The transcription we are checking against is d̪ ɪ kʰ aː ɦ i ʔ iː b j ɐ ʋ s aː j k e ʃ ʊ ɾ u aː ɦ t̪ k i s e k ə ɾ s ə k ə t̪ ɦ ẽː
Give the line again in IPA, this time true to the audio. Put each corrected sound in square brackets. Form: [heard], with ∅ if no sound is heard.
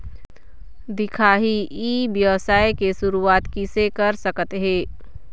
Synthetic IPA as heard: d̪ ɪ kʰ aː ɦ i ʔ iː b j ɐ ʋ s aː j k e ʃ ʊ ɾ u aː [∅] t̪ k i s e k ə ɾ s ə k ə t̪ ɦ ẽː